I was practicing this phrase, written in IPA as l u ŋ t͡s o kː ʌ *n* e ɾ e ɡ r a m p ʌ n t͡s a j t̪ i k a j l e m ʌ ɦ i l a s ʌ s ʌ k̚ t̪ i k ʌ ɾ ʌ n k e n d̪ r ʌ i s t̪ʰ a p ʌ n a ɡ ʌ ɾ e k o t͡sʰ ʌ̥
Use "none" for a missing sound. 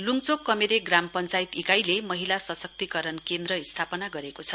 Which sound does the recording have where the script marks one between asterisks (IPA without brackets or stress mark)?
m